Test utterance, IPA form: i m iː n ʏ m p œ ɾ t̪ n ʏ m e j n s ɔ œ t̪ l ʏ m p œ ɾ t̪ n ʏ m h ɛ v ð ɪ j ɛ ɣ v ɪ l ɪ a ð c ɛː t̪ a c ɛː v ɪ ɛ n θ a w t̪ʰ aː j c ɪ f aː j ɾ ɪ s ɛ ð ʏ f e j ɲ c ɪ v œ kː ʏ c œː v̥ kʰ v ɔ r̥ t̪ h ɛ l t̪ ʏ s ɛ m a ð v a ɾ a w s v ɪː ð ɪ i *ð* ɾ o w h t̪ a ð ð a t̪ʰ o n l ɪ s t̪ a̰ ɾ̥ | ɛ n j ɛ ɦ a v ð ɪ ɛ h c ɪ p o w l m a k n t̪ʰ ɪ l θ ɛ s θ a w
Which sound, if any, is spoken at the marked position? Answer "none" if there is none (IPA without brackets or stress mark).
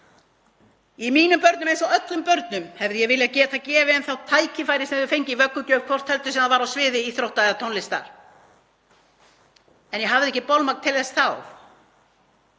θ